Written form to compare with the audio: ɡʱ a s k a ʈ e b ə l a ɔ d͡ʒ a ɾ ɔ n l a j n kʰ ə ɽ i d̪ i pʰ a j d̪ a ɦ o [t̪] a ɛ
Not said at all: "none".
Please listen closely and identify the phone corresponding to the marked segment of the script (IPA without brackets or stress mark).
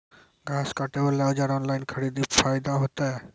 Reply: t̪